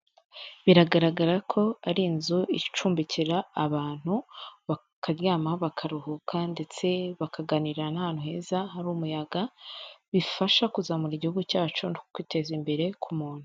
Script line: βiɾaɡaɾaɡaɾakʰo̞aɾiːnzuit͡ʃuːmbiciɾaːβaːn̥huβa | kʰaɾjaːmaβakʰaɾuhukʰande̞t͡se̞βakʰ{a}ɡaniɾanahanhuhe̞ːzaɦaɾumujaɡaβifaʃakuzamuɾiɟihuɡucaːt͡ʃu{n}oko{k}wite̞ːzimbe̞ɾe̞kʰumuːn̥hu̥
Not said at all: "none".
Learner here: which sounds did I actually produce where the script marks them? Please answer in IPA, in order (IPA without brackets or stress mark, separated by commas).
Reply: a, n, k